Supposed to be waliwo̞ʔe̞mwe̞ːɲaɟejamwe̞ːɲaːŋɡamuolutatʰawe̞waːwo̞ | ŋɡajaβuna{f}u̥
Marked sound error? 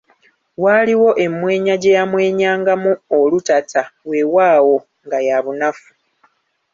no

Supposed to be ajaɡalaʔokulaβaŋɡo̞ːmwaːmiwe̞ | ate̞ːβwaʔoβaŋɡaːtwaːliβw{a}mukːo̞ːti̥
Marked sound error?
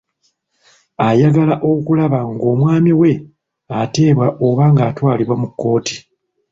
no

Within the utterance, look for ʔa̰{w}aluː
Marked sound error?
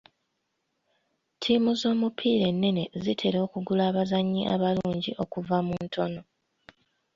yes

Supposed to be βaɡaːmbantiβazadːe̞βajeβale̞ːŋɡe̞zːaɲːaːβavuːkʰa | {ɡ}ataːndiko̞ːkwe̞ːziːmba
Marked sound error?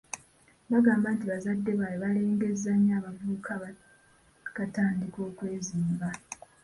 yes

